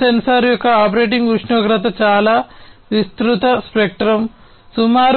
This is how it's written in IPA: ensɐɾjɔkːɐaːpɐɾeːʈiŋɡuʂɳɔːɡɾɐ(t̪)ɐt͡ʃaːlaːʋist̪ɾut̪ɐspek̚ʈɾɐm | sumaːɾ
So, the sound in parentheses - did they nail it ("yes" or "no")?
yes